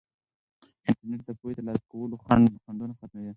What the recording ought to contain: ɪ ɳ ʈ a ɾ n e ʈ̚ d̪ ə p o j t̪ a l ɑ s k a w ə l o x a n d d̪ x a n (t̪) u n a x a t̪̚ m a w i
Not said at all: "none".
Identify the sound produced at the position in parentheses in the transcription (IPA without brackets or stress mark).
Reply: d̪